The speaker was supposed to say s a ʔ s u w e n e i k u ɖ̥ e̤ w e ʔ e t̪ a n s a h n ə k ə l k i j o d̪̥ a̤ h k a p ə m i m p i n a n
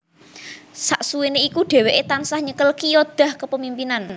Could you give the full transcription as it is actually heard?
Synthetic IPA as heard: s a ʔ s u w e n e i k u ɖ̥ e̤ w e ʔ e t̪ a n s a h ɲ ə k ə l k i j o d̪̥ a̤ h k ə p ə m i m p i n a n